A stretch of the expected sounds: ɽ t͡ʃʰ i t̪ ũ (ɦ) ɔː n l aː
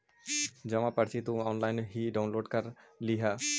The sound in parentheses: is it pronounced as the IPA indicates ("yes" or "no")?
no